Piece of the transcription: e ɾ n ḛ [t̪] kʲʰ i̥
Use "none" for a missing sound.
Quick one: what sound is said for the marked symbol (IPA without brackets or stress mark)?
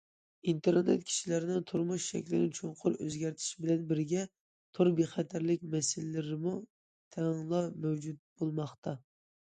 t̪